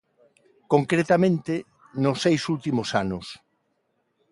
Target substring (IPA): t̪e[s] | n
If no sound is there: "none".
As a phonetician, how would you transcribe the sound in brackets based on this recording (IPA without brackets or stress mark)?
none